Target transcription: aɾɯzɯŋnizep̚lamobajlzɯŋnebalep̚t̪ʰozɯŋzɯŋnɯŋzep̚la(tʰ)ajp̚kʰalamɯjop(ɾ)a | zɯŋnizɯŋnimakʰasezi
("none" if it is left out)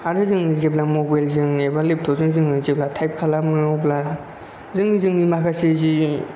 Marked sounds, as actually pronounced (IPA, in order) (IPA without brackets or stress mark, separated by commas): tʰ, l